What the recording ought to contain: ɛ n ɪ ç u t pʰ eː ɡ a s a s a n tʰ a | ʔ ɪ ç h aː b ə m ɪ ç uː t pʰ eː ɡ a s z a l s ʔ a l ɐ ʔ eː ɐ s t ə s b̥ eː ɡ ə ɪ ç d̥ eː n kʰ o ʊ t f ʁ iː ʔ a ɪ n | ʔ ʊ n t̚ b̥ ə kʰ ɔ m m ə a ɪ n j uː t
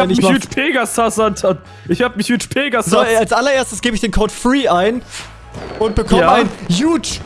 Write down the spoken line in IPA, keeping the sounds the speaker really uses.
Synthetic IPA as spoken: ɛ n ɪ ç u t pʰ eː ɡ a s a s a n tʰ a | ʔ ɪ ç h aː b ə m ɪ ç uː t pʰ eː ɡ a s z a l s ʔ a l ɐ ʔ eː ɐ s t ə s ɡ̥ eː b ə ɪ ç d̥ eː n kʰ o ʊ t f ʁ iː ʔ a ɪ n | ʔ ʊ n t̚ b̥ ə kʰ ɔ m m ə a ɪ n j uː t